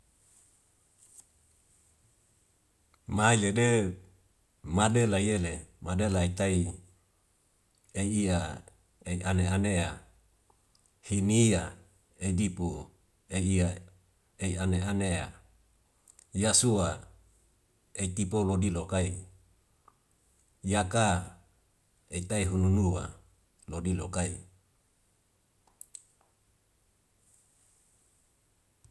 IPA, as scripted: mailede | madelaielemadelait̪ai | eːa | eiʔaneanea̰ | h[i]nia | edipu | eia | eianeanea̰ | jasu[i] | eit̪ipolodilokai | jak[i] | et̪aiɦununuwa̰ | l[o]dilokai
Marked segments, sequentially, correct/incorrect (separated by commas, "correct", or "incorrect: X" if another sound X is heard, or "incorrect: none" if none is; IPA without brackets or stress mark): correct, incorrect: a, incorrect: a, correct